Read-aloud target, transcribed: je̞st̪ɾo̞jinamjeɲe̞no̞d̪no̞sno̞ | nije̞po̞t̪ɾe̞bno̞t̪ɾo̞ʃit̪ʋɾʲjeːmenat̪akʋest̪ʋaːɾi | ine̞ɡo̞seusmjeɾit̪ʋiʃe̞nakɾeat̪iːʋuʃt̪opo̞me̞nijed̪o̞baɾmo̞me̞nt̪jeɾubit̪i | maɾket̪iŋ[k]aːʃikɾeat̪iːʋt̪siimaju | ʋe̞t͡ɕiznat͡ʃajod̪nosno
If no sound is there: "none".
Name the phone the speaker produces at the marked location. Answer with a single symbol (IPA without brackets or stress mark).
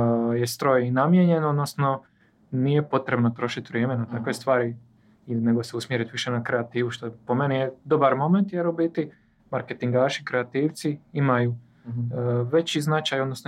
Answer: ɡ